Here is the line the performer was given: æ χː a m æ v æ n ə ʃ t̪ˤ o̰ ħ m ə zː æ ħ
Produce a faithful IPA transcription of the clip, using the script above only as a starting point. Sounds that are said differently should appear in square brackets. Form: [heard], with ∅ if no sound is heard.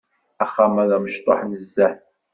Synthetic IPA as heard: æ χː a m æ [ð] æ [m] ə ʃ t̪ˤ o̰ ħ [n] ə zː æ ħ